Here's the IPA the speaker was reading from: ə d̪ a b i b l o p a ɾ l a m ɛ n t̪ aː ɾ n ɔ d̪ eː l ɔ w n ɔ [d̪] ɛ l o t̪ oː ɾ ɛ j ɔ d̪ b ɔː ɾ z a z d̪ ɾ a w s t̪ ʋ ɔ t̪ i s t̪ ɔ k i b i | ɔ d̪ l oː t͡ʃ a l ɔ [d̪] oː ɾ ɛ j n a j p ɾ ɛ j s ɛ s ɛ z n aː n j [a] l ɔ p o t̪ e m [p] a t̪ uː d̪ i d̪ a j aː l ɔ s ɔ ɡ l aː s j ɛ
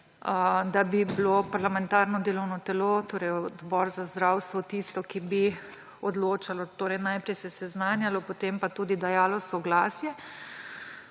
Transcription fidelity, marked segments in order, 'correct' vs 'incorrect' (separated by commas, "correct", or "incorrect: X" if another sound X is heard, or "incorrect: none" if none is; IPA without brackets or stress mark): incorrect: t̪, incorrect: t̪, correct, correct